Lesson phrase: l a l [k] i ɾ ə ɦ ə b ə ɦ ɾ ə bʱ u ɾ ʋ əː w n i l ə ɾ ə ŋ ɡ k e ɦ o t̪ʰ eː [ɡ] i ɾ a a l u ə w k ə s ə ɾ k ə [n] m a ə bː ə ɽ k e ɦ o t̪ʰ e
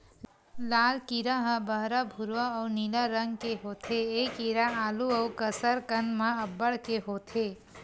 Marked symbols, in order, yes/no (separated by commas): yes, no, yes